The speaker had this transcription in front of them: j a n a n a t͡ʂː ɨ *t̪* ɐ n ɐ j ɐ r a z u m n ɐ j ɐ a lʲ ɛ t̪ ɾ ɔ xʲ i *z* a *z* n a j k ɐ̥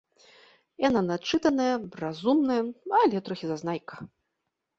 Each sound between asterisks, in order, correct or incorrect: correct, correct, correct

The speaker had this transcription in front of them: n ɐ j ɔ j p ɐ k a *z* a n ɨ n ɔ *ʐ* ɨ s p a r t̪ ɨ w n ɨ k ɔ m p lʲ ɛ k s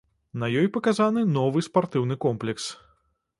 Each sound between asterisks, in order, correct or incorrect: correct, incorrect: v

